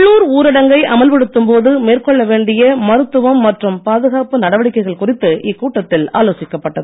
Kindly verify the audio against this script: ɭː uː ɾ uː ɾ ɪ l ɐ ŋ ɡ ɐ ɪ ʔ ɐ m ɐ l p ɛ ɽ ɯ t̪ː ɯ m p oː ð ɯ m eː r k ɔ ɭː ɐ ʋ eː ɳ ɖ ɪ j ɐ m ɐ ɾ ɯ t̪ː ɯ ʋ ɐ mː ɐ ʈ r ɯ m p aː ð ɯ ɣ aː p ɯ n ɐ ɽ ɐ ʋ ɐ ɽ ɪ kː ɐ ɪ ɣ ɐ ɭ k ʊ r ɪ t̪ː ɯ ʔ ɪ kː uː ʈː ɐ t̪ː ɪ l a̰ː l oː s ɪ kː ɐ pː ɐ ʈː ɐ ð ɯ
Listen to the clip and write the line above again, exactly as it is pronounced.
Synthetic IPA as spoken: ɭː uː ɾ uː ɾ ɪ ɽ ɐ ŋ ɡ ɐ ɪ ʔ ɐ m ɐ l p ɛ ɽ ɯ t̪ː ɯ m p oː ð ɯ m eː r k ɔ ɭː ɐ ʋ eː ɳ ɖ ɪ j ɐ m ɐ ɾ ɯ t̪ː ɯ ʋ ɐ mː ɐ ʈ r ɯ m p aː ð ɯ ɣ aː p ɯ n ɐ ɽ ɐ ʋ ɐ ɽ ɪ kː ɐ ɪ ɣ ɐ ɭ k ʊ r ɪ t̪ː ɯ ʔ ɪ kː uː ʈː ɐ t̪ː ɪ l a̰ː l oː s ɪ kː ɐ pː ɐ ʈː ɐ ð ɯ